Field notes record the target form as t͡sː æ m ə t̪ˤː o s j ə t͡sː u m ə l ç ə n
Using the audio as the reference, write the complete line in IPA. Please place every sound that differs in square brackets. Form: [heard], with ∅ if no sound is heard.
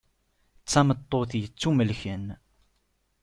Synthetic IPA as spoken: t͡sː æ m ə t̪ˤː o [θ] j ə t͡sː u m ə l ç ə n